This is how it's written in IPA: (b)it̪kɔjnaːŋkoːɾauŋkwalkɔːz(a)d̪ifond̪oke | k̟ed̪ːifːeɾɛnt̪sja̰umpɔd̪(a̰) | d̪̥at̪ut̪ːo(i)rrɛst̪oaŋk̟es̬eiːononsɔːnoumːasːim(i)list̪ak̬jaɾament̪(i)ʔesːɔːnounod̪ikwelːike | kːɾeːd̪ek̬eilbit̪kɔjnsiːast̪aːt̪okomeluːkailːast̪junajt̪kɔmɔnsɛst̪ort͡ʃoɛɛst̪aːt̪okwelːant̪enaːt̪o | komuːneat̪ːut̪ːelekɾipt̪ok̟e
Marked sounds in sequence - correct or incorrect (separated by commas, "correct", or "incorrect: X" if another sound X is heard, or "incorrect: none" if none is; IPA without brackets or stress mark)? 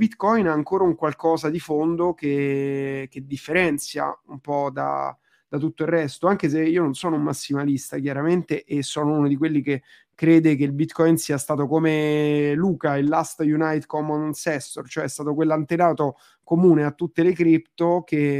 correct, correct, correct, correct, incorrect: a, incorrect: e